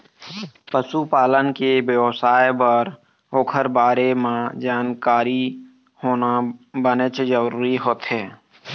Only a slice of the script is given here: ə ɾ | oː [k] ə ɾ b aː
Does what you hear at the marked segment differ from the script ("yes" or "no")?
yes